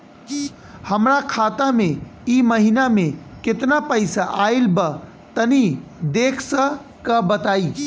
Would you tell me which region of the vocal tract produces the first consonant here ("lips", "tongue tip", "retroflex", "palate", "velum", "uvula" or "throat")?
throat